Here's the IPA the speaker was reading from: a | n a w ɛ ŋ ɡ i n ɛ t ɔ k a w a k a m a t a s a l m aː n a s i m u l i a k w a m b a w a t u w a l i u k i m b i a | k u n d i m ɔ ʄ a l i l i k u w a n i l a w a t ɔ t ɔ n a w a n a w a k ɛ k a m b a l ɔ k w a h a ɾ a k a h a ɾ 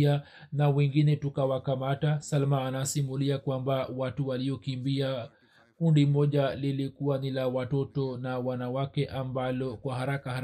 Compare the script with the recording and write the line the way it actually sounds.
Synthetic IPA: a | n a w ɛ ŋ ɡ i n ɛ t u k a w a k a m a t a s a l m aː n a s i m u l i a k w a m b a w a t u w a l i ɔ k i m b i a | k u n d i m ɔ ʄ a l i l i k u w a n i l a w a t ɔ t ɔ n a w a n a w a k ɛ ʔ a m b a l ɔ k w a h a ɾ a k a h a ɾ